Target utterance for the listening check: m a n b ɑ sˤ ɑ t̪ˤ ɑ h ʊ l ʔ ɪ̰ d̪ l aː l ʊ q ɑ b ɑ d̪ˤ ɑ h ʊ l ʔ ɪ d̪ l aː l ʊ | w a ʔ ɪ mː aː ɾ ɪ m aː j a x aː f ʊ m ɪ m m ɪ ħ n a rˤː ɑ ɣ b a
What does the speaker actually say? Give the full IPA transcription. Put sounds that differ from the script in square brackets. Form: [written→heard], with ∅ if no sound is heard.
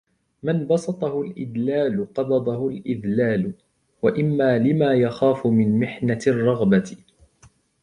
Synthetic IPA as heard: m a n b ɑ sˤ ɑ t̪ˤ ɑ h ʊ l ʔ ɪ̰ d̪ l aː l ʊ q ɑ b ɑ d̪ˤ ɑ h ʊ l ʔ ɪ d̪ l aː l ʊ | w a ʔ ɪ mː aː [ɾ→l] ɪ m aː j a x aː f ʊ m ɪ [m→n] m ɪ ħ n a rˤː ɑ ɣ b a